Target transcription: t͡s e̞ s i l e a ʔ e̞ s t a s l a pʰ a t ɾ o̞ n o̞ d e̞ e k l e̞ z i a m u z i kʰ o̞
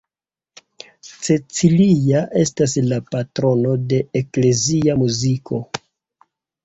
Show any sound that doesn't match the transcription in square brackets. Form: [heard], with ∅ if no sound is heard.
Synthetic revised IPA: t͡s e̞ [t͡s] i l [i] a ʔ e̞ s t a s l a [p] a t ɾ o̞ n o̞ d e̞ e k l e̞ z i a m u z i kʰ o̞